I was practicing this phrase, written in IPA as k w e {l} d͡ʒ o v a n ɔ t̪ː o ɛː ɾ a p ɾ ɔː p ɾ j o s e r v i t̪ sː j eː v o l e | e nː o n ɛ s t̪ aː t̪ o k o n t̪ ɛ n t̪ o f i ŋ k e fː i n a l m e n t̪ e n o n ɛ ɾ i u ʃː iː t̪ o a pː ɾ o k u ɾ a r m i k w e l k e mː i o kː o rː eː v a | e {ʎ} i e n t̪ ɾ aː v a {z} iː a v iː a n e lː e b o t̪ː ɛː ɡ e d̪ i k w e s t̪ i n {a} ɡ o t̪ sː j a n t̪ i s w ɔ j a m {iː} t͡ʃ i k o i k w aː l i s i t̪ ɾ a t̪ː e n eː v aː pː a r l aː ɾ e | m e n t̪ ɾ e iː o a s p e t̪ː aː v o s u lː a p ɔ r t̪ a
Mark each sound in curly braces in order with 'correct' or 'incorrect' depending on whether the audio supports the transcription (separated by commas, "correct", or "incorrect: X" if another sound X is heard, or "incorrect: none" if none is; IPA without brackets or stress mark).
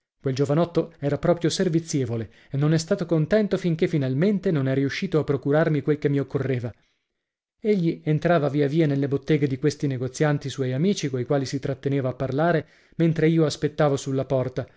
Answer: correct, incorrect: ʎː, incorrect: v, incorrect: e, correct